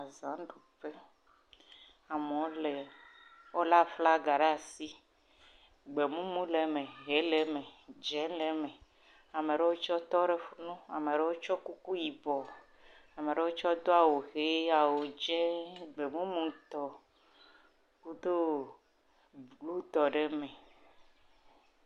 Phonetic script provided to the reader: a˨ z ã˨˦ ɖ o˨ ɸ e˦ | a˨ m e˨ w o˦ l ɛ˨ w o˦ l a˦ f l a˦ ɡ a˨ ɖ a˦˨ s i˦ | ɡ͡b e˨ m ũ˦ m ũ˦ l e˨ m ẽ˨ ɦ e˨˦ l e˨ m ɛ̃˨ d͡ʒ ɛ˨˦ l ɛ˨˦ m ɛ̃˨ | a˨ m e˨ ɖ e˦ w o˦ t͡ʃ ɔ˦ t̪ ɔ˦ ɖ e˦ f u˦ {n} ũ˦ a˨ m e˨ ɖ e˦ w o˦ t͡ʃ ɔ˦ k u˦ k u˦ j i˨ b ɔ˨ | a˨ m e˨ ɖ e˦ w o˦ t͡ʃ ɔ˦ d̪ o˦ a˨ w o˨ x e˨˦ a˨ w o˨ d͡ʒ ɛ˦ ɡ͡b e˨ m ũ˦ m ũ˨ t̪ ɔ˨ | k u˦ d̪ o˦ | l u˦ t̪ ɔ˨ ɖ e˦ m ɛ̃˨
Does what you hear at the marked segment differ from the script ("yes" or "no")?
no